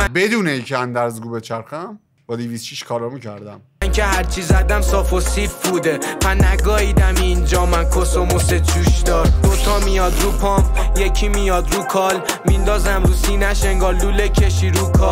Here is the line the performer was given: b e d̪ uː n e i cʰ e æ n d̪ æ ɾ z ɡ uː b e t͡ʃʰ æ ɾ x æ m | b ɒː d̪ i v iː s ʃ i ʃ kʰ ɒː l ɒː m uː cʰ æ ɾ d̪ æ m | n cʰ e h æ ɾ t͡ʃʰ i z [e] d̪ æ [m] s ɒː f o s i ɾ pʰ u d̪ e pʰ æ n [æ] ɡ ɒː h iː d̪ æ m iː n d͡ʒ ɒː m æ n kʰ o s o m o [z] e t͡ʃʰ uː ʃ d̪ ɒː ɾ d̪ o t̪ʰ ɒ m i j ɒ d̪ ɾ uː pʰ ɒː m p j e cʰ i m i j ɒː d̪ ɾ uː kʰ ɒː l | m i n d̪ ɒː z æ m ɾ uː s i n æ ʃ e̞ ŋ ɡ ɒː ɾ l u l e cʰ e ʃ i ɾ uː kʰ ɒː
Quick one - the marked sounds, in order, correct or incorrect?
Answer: incorrect: æ, correct, correct, incorrect: s

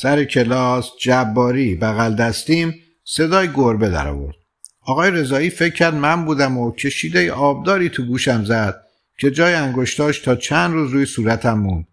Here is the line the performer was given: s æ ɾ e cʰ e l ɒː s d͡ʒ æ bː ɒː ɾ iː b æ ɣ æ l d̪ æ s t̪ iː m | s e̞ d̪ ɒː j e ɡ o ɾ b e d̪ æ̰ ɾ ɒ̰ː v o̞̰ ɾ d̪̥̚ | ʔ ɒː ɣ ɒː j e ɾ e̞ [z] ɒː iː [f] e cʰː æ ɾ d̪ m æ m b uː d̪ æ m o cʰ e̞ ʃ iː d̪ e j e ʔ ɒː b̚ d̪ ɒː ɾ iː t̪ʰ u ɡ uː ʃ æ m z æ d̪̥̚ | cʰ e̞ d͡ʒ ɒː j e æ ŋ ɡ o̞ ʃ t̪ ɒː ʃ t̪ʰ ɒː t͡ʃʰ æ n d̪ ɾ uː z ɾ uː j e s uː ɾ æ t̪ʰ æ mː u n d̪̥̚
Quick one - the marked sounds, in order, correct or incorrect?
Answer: correct, correct

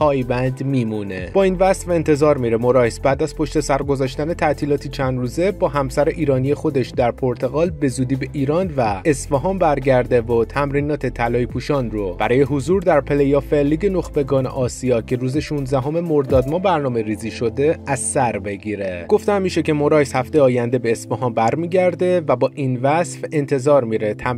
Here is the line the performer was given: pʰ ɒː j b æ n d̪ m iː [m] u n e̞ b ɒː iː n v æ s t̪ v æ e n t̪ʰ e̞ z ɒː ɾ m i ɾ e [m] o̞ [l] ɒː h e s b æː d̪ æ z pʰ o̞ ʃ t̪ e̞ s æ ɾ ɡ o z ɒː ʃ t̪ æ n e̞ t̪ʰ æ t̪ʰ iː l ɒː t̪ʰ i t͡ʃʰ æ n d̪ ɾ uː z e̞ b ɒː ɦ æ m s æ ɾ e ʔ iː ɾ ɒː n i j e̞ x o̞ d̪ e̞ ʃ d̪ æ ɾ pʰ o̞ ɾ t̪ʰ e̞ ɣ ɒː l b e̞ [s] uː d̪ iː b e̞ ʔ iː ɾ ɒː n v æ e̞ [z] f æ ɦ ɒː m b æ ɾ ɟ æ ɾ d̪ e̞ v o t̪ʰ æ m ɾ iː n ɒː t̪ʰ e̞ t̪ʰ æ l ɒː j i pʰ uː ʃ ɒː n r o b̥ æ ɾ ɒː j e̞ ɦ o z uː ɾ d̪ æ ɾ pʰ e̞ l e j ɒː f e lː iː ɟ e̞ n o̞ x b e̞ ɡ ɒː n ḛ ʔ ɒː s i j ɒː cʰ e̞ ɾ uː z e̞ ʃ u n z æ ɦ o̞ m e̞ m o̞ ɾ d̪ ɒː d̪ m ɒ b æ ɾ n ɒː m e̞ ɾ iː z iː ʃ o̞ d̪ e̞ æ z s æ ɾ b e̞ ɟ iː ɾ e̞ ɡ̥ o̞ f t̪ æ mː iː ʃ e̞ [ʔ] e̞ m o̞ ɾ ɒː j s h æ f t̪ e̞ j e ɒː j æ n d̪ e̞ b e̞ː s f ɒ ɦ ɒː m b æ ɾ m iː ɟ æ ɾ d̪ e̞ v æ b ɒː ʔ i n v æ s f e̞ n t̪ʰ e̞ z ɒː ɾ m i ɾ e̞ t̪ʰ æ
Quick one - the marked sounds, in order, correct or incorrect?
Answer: correct, correct, incorrect: ɾ, incorrect: z, incorrect: s, incorrect: c

